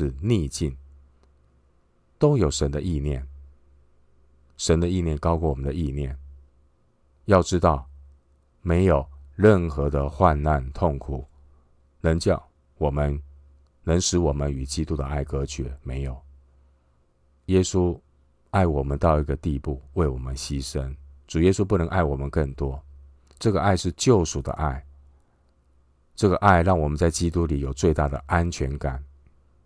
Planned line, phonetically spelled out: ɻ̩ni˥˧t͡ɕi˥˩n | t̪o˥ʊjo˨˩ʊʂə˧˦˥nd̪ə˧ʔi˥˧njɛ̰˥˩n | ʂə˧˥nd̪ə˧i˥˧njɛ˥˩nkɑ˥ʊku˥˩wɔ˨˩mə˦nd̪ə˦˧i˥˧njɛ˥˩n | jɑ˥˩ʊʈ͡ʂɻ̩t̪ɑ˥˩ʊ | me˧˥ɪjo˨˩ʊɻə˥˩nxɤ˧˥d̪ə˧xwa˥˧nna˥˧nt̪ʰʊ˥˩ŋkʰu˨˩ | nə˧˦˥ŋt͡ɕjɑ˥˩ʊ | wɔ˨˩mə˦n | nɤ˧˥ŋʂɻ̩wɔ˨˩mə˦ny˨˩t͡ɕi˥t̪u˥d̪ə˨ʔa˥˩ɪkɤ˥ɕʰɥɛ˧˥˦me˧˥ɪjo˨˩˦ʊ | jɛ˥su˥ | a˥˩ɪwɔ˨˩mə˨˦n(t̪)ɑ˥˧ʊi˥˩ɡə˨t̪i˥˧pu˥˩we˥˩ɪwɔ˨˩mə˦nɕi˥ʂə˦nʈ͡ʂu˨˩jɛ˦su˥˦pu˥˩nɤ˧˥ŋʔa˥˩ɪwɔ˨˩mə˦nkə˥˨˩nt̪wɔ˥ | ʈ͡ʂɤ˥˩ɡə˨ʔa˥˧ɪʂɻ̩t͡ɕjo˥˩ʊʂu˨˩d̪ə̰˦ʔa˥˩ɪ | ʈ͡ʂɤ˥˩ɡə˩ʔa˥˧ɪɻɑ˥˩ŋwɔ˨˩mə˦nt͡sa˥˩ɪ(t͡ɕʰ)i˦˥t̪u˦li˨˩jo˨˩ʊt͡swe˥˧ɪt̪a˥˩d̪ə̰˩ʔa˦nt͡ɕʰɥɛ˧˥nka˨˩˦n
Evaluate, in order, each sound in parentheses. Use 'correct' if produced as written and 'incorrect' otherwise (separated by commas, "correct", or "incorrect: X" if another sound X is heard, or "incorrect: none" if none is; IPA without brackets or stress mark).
correct, incorrect: t͡ɕ